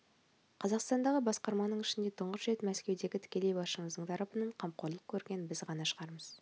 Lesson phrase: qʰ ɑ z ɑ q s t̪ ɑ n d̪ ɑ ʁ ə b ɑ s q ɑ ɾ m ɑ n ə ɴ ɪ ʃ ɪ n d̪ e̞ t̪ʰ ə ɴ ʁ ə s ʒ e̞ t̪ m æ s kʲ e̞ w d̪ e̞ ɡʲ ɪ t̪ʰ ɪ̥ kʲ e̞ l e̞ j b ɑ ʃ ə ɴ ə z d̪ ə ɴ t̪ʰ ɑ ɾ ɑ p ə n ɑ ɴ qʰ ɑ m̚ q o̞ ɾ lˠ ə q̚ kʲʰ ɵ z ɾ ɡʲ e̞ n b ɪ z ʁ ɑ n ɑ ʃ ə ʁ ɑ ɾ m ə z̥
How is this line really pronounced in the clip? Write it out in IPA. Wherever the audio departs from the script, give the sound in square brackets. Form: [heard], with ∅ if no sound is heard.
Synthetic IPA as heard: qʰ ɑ z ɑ q s t̪ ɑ n d̪ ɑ ʁ ə b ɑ s q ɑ ɾ m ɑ n ə ɴ ɪ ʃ ɪ n d̪ e̞ t̪ʰ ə ɴ ʁ ə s ʒ e̞ t̪ m æ s kʲ e̞ w d̪ e̞ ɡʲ ɪ t̪ʰ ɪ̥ kʲ e̞ l e̞ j b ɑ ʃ ə ɴ ə z d̪ ə ɴ t̪ʰ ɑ ɾ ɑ p ə n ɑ ɴ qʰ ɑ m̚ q o̞ ɾ lˠ ə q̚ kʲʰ ɵ [∅] ɾ ɡʲ e̞ n b ɪ z ʁ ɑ n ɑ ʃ ə ʁ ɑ ɾ m ə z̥